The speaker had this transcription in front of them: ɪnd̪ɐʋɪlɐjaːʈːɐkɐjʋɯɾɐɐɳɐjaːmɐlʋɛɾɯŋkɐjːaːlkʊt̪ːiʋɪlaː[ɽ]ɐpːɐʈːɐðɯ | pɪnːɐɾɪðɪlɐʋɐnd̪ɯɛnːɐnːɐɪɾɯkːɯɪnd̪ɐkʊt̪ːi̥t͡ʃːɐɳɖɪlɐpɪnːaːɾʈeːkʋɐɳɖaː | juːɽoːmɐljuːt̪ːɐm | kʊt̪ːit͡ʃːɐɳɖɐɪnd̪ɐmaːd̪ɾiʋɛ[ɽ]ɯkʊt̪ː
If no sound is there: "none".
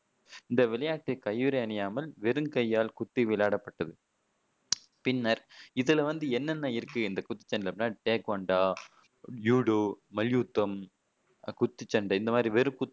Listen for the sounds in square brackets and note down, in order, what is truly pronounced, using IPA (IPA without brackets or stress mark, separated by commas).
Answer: ɽ, ɾ